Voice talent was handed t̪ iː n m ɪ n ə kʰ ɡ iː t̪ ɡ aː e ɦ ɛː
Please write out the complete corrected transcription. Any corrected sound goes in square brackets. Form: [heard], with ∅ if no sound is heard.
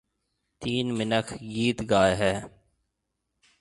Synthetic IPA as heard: t̪ iː n m ɪ n ə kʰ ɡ iː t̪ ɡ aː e ɦ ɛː